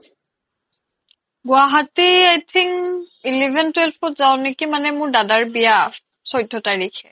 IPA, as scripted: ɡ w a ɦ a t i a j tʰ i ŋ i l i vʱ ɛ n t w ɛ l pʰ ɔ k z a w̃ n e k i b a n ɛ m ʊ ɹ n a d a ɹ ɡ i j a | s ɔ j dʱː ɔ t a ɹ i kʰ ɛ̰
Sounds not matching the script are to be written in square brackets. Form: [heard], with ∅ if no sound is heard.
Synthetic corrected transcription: ɡ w a ɦ a t i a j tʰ i ŋ i l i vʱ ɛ n t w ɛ l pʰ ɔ [t] z a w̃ n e k i [m] a n ɛ m ʊ ɹ [d] a d a ɹ [b] i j a | s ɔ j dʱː ɔ t a ɹ i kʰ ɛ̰